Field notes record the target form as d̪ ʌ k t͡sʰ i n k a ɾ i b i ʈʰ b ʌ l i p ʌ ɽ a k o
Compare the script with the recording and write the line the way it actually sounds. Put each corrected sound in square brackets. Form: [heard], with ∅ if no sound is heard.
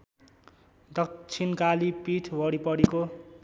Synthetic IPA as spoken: d̪ ʌ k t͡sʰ i n k a [l] i [p] i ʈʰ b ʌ [ɽ] i p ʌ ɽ [i] k o

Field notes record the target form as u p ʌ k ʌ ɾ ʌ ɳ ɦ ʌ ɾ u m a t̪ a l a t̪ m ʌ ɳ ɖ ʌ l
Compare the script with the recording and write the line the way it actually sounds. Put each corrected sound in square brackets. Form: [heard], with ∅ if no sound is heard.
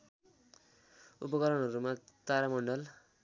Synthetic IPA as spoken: u p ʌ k ʌ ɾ ʌ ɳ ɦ ʌ ɾ u m a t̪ a [ɾ] a [∅] m ʌ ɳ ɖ ʌ l

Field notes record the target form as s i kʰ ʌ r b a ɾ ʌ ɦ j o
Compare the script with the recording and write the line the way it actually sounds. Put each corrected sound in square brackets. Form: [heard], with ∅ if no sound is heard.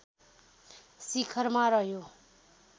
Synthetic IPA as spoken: s i kʰ ʌ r [m] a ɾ ʌ ɦ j o

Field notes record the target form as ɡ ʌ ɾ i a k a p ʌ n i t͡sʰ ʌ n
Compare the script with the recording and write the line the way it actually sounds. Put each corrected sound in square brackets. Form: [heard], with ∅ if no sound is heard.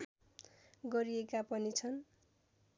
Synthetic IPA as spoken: ɡ ʌ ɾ i [e] k a p ʌ n i t͡sʰ ʌ n

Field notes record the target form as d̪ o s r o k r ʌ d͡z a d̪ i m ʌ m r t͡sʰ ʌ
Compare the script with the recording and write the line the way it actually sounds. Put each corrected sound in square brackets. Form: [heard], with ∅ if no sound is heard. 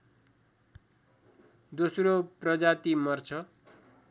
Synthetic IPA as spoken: d̪ o s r o [p] r ʌ d͡z a [t̪] i m ʌ [∅] r t͡sʰ ʌ

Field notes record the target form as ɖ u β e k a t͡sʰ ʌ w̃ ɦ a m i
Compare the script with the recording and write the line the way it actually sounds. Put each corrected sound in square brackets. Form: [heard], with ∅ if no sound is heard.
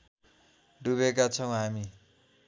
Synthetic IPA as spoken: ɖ u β e k a t͡sʰ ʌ w̃ ɦ a m i

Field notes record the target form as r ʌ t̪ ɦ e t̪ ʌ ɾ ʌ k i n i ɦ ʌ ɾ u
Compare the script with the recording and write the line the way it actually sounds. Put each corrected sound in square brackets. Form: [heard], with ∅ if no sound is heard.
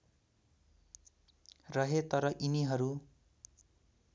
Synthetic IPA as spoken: r ʌ [∅] ɦ e t̪ ʌ ɾ ʌ [ʔ] i n i ɦ ʌ ɾ u

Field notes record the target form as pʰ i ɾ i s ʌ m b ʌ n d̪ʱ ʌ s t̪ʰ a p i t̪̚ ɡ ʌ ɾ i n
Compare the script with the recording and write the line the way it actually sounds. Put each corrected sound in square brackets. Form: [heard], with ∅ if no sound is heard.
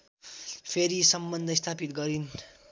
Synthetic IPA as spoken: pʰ [e] ɾ i s ʌ m b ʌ n d̪ʱ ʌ s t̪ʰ a p i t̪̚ ɡ ʌ ɾ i n

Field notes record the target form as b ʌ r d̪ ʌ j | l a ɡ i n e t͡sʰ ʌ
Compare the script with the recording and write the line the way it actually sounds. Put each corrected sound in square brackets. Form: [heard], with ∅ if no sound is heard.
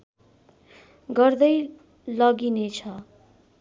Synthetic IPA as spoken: [ɡ] ʌ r d̪ ʌ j | l [ʌ] ɡ i n e t͡sʰ ʌ

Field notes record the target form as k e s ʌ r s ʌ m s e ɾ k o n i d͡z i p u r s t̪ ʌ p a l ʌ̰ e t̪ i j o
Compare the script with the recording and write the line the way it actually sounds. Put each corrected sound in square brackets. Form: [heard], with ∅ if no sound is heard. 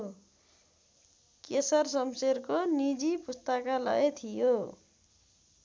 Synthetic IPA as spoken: k e s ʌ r s ʌ m s e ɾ k o n i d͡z i p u [∅] s t̪ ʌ [k] a l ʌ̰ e [t̪ʰ] i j o

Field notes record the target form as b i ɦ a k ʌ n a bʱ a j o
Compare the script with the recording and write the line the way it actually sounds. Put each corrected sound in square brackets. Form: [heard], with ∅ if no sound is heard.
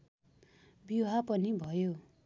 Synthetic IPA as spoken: b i ɦ a [p] ʌ n [i] bʱ [ʌ] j o

